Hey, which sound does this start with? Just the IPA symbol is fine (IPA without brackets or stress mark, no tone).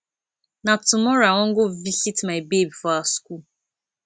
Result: n